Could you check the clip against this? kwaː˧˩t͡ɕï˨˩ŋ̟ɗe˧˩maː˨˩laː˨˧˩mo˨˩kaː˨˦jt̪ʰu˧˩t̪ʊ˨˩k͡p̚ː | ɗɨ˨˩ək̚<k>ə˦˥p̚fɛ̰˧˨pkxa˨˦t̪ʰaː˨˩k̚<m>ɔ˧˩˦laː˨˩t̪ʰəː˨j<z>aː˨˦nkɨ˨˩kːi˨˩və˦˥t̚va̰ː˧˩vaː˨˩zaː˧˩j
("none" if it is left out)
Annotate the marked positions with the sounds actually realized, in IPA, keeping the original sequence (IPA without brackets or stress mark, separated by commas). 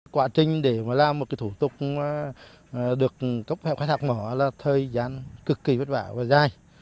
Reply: k, m, z